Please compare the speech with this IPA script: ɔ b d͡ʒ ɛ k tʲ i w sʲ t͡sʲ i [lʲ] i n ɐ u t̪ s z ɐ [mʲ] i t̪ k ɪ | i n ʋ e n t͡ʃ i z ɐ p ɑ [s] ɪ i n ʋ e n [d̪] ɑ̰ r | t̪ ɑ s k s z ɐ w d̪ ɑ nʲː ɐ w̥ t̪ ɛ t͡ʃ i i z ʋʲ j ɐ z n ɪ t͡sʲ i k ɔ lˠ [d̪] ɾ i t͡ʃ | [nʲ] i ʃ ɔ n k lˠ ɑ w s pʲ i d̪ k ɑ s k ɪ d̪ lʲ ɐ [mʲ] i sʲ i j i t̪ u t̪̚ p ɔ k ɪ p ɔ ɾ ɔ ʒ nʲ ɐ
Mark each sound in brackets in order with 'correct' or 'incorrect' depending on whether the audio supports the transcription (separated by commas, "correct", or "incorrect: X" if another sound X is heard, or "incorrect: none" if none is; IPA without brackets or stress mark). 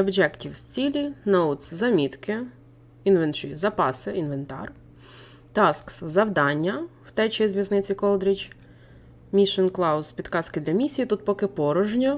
correct, correct, correct, incorrect: t̪, correct, incorrect: mʲ, correct